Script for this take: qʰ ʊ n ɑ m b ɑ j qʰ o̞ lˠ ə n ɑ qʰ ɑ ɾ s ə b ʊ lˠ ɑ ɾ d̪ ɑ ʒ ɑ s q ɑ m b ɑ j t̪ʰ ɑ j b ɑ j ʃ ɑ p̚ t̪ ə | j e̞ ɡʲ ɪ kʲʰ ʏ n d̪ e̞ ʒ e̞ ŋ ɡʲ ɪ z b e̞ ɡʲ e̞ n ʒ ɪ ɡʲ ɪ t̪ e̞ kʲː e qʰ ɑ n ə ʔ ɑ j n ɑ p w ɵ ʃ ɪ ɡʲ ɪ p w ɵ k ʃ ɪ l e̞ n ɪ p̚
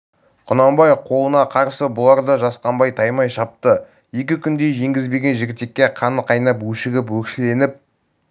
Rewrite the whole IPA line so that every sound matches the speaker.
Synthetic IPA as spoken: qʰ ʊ n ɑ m b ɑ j qʰ o̞ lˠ ə n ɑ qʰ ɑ ɾ s ə b ʊ lˠ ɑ ɾ d̪ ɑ ʒ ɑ s q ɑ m b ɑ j t̪ʰ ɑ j m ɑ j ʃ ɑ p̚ t̪ ə | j e̞ kʲ ɪ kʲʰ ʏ n d̪ e̞ ʒ e̞ ŋ ɡʲ ɪ z b e̞ ɡʲ e̞ n ʒ ɪ ɡʲ ɪ t̪ e̞ kʲː e qʰ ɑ n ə q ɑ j n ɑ p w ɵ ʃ ɪ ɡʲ ɪ p w ɵ k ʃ ɪ l e̞ n ɪ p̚